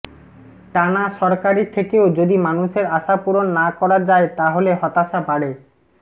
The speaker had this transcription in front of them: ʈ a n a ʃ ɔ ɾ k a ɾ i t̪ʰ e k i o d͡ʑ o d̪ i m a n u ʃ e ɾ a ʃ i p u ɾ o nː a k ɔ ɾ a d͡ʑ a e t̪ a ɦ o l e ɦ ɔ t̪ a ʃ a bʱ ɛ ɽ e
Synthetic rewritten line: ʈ a n a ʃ ɔ ɾ k a ɾ i t̪ʰ e k e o d͡ʑ o d̪ i m a n u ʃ e ɾ a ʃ a p u ɾ o nː a k ɔ ɾ a d͡ʑ a e t̪ a ɦ o l e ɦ ɔ t̪ a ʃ a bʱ a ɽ e